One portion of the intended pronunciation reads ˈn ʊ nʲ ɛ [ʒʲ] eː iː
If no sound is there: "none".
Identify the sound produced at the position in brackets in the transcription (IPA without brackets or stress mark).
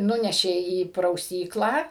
ʃʲ